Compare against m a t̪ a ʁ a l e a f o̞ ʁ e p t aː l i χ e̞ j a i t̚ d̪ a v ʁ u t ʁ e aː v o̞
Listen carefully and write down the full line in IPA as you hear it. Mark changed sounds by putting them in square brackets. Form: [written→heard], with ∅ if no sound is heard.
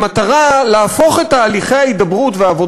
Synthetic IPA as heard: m a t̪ a ʁ a l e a f o̞ [ʁ→χ] e [p→t] t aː l i χ e̞ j a i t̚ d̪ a [v→b] ʁ u t [ʁ→v] e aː v o̞